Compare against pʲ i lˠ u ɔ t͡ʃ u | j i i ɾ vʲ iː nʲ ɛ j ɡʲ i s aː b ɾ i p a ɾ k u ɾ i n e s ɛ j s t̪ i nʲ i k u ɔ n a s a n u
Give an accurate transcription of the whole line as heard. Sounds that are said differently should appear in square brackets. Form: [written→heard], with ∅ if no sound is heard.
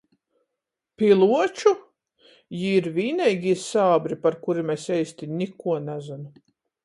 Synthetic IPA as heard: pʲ i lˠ u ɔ t͡ʃ u | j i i ɾ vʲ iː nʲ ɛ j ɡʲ i s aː b ɾ i p a ɾ k u ɾ i [n→m] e s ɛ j s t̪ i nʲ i k u ɔ n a [s→z] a n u